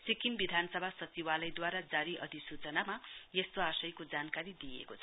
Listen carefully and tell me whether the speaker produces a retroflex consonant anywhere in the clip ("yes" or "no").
no